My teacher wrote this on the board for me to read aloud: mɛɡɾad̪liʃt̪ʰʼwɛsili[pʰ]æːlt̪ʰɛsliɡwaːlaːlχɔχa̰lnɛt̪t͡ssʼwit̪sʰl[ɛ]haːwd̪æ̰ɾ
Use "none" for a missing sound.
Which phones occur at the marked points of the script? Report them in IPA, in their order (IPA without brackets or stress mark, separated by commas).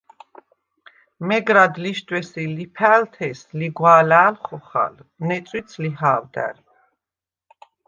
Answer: pʰ, i